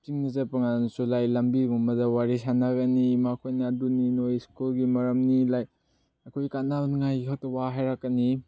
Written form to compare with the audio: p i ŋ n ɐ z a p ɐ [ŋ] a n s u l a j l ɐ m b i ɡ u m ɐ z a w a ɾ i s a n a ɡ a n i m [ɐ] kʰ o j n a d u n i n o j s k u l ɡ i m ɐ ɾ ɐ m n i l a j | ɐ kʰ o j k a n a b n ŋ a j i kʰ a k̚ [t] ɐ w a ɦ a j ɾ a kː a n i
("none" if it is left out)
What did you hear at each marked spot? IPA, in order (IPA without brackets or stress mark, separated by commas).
ŋ, a, t